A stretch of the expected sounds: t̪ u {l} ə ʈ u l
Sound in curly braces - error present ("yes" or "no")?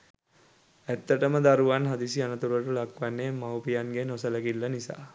yes